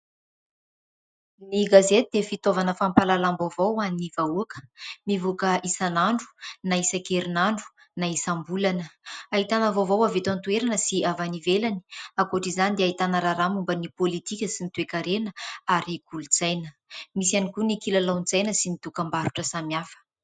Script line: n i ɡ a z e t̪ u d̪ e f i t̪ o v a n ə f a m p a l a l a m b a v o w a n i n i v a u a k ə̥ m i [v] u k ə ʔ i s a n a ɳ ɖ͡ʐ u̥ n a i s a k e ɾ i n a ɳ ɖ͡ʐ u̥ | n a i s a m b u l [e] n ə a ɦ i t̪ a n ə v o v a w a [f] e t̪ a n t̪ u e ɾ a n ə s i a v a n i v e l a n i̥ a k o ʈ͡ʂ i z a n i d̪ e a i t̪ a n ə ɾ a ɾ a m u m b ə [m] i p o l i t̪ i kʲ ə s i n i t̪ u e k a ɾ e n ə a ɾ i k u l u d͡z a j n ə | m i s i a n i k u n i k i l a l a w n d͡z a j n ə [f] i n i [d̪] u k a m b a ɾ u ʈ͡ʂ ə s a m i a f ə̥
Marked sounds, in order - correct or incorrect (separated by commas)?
correct, incorrect, incorrect, incorrect, incorrect, incorrect